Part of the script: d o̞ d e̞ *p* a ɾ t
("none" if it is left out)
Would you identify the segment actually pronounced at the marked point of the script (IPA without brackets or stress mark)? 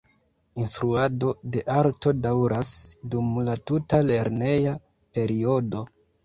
ʔ